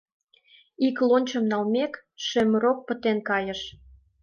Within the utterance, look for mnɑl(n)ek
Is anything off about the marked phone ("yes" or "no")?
yes